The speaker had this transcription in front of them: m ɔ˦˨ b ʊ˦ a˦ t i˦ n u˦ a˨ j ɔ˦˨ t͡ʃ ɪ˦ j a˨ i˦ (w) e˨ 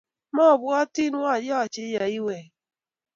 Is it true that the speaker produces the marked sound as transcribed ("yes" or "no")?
yes